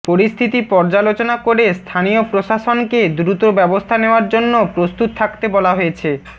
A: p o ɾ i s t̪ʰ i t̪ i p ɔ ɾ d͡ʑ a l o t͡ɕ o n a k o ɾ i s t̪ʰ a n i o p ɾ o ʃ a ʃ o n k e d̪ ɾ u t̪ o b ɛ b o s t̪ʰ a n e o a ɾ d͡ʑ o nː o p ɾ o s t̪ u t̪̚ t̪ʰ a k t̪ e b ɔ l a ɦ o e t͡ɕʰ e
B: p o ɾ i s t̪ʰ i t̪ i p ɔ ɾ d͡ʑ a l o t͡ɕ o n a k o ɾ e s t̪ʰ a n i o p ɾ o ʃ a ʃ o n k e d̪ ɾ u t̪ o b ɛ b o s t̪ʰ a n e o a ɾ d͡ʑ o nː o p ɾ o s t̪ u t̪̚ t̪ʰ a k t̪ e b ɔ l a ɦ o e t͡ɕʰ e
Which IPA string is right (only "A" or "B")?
B